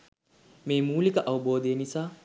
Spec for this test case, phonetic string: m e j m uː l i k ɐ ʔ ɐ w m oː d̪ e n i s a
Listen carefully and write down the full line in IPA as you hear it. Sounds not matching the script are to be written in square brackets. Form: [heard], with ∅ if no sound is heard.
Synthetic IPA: m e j m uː l i k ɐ ʔ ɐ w [b] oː d̪ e n i s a